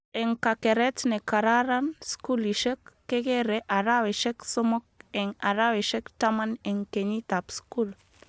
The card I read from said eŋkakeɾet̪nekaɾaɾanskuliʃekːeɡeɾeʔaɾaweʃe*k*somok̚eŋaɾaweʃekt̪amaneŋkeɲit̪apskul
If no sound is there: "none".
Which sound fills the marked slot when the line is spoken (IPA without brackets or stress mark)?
k